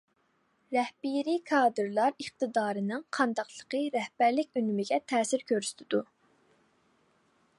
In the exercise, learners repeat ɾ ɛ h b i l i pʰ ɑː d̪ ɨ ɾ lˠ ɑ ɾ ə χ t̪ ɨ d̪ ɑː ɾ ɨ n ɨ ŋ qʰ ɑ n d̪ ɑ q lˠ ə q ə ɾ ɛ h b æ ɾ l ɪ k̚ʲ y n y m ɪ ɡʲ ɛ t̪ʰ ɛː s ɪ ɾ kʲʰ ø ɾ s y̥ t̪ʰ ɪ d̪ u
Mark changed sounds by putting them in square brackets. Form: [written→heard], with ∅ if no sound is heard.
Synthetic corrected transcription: ɾ ɛ h b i [l→ɾ] i [pʰ→kʰ] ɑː d̪ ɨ ɾ lˠ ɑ ɾ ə χ t̪ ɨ d̪ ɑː ɾ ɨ n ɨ ŋ qʰ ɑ n d̪ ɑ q lˠ ə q ə ɾ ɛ h b æ ɾ l ɪ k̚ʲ y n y m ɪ ɡʲ ɛ t̪ʰ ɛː s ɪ ɾ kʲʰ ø ɾ s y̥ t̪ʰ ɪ d̪ u